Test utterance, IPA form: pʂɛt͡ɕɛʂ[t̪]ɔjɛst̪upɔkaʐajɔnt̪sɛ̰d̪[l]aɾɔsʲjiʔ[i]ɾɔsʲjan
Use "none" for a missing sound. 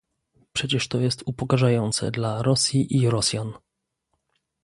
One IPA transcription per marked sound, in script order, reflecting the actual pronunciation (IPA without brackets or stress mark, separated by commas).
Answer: t̪, l, i